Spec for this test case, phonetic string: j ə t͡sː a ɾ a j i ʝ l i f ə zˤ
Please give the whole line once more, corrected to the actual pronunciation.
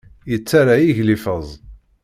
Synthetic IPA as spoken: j ə t͡sː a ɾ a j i ʝ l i f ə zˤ